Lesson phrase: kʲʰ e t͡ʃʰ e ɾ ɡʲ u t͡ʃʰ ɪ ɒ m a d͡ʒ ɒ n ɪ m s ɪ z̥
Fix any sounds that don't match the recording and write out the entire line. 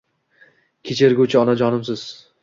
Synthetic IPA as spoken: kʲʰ e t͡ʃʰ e ɾ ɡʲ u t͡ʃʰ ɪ ɒ n a d͡ʒ ɒ n ɪ m s ɪ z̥